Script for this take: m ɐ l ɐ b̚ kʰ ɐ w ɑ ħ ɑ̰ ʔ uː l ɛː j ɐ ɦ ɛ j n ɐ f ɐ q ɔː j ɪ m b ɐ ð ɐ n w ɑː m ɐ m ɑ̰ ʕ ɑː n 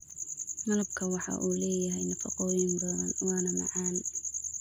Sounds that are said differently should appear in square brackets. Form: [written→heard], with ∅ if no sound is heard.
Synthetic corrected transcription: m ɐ l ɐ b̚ kʰ ɐ w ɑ ħ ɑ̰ ʔ uː l ɛː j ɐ ɦ ɛ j n ɐ f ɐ q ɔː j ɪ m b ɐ ð ɐ n w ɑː [m→n] ɐ m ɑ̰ ʕ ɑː n